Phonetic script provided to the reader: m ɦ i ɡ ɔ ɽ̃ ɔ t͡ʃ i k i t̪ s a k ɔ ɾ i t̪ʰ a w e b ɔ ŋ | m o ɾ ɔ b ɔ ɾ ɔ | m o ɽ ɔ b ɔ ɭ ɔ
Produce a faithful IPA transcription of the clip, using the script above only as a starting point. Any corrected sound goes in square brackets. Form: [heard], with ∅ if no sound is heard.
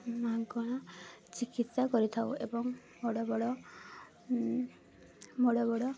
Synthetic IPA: m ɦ [a] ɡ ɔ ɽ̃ ɔ t͡ʃ i k i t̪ s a k ɔ ɾ i t̪ʰ a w e b ɔ ŋ | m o [ɽ] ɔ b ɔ [ɽ] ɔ | m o ɽ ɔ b ɔ [ɽ] ɔ

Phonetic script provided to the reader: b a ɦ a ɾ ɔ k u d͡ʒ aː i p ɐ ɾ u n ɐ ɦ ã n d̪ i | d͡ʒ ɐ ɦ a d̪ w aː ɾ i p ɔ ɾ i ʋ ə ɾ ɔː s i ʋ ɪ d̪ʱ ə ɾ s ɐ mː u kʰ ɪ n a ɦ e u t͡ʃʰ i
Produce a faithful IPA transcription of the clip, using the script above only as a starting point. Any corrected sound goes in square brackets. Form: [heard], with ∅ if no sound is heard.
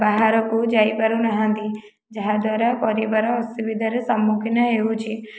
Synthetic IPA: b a ɦ a ɾ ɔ k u d͡ʒ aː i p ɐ ɾ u n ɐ ɦ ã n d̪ i | d͡ʒ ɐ ɦ a d̪ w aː ɾ [a] p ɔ ɾ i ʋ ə ɾ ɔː s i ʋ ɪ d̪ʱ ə ɾ s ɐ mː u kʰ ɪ n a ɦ e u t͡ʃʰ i

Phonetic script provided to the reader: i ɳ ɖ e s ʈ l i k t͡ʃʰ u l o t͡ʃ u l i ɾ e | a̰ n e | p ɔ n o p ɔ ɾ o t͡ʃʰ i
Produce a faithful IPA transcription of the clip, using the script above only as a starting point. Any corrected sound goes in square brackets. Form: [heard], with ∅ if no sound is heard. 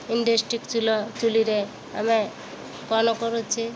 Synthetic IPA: i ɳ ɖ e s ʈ [ɾ] i k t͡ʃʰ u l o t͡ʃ u l i ɾ e | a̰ [m] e | [k] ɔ n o [k] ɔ ɾ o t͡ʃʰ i

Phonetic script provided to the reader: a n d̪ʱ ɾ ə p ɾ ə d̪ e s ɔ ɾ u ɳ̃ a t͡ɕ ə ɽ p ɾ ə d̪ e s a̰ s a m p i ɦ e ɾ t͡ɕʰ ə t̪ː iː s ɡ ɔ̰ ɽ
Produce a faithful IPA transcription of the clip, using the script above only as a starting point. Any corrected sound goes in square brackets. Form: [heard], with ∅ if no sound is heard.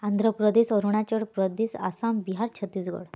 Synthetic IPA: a n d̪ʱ ɾ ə p ɾ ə d̪ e s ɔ ɾ u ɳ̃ a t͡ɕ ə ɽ p ɾ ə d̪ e s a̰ s a m [b] i ɦ [a] ɾ t͡ɕʰ ə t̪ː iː s ɡ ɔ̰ ɽ

